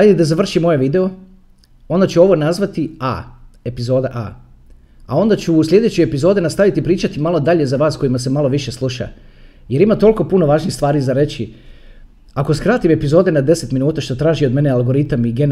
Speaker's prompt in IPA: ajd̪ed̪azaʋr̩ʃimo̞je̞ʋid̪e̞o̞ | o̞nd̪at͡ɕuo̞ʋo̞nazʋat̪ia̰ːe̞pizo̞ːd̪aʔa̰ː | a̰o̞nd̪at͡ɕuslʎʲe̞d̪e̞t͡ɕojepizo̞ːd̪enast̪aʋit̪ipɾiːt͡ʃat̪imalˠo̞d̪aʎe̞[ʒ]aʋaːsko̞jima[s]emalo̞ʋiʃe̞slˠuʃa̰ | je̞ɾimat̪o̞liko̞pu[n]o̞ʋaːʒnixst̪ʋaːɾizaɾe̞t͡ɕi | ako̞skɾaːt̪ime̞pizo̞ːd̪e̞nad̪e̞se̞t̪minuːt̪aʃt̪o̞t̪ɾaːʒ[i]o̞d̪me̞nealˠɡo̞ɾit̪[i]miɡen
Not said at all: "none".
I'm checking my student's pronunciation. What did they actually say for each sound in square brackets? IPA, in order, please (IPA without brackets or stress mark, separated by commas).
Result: z, s, n, i, a